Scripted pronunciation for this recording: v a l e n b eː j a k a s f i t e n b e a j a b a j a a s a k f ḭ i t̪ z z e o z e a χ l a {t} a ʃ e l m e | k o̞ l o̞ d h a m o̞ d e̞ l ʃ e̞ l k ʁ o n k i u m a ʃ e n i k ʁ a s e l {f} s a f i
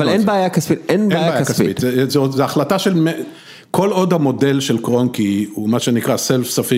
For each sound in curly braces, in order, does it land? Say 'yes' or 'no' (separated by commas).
yes, yes